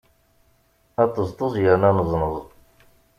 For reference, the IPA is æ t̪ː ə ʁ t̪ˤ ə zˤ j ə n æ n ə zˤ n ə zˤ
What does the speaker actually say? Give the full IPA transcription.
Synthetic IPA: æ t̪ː ə z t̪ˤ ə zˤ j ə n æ n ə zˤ n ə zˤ